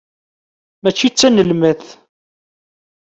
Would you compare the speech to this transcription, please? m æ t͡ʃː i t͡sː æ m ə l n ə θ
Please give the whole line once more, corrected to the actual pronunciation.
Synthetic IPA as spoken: m æ t͡ʃː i t͡sː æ n ə l m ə θ

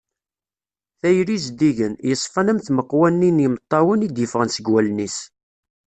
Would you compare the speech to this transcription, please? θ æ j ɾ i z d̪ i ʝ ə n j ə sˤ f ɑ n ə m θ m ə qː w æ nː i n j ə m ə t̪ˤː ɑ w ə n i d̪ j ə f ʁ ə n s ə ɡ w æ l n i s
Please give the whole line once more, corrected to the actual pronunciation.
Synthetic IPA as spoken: θ æ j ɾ i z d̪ i ʝ ə n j ə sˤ f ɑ n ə m θ m ə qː w æ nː i n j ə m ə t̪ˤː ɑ w ə n i d̪ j ə f ʁ ə n s ə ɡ w æ l n i s

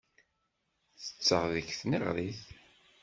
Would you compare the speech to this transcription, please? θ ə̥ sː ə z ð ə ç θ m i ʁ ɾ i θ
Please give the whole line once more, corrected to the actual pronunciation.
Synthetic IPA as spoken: θ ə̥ t͡sː ə ʁ ð ə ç θ n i ʁ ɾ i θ

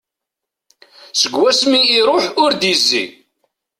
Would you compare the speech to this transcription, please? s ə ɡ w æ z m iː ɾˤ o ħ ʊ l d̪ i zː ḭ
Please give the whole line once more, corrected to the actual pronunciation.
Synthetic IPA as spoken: s ə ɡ w æ s m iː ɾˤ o ħ ʊ ɾ d̪ i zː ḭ

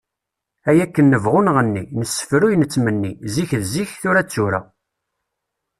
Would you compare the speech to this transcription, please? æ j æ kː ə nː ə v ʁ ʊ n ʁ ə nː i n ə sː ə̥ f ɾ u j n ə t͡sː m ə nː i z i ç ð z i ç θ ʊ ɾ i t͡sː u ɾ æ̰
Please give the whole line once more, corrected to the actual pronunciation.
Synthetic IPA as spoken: æ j æ kː ə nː ə v ʁ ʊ n ʁ ə nː i n ə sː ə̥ f ɾ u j n ə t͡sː m ə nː i z i ç ð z i ç θ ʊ ɾ æ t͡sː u ɾ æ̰

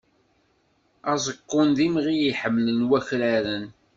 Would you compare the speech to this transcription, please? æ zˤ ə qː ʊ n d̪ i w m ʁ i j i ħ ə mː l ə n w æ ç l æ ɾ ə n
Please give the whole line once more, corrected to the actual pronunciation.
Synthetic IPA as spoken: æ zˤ ə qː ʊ n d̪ i m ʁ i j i ħ ə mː l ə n w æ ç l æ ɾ ə n

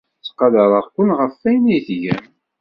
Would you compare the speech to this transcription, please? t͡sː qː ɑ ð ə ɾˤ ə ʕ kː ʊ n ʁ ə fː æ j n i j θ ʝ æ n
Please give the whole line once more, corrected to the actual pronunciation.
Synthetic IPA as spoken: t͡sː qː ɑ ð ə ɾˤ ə ʁ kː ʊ n ʁ ə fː æ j n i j θ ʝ æ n

